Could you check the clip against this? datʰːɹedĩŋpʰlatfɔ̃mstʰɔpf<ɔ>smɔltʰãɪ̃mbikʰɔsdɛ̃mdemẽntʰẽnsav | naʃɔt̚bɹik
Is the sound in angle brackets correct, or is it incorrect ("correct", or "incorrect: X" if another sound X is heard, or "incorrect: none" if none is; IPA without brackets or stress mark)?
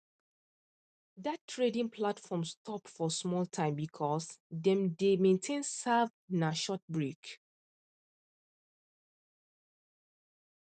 correct